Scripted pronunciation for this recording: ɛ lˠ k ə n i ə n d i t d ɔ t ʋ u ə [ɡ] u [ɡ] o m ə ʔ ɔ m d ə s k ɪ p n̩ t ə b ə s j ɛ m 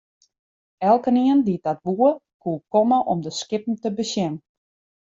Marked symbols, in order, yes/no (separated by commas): no, no